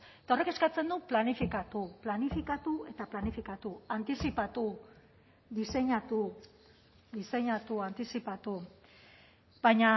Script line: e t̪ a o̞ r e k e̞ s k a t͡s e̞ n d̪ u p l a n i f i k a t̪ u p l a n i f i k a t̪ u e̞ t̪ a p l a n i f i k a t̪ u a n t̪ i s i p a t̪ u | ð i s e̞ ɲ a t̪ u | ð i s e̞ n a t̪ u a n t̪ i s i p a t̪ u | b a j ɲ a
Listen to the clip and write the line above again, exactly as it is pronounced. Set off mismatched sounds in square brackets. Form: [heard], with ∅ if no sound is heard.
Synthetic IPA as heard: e t̪ a o̞ r e k e̞ s k a t͡s e̞ n d̪ u p l a n i f i k a t̪ u p l a n i f i k a t̪ u e̞ t̪ a p l a n i f i k a t̪ u a n t̪ i s i p a t̪ u | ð i s e̞ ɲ a t̪ u | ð i s e̞ [ɲ] a t̪ u a n t̪ i s i p a t̪ u | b a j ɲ a